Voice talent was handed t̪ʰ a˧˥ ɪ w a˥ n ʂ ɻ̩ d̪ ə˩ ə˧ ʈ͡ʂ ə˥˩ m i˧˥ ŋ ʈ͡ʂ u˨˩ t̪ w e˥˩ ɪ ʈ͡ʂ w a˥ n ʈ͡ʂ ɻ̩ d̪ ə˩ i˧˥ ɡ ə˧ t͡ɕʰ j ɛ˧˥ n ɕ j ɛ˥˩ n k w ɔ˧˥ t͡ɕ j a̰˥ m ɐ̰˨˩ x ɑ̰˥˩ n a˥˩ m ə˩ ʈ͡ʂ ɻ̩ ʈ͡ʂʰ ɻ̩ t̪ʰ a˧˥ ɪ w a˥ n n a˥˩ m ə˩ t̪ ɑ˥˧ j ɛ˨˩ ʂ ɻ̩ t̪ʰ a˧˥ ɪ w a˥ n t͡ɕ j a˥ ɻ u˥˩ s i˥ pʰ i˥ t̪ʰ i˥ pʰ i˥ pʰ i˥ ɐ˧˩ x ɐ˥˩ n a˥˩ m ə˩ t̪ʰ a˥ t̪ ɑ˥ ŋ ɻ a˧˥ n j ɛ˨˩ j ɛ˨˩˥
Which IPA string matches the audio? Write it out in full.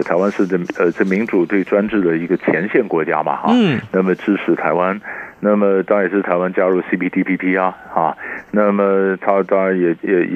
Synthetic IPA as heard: t̪ʰ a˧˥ ɪ w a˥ n ʂ ɻ̩ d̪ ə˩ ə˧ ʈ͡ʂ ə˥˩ m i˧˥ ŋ ʈ͡ʂ u˨˩ t̪ w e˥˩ ɪ ʈ͡ʂ w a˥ n ʈ͡ʂ ɻ̩ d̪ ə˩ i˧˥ ɡ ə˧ t͡ɕʰ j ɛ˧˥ n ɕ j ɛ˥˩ n k w ɔ˧˥ t͡ɕ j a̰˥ m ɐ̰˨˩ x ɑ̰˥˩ n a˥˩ m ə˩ ʈ͡ʂ ɻ̩ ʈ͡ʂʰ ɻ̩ t̪ʰ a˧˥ ɪ w a˥ n n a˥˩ m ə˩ t̪ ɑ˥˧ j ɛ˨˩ ʂ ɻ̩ t̪ʰ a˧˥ ɪ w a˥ n t͡ɕ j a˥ ɻ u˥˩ s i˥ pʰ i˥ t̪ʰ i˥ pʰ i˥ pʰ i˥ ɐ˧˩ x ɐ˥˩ n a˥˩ m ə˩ t̪ʰ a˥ t̪ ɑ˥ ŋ ɻ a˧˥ n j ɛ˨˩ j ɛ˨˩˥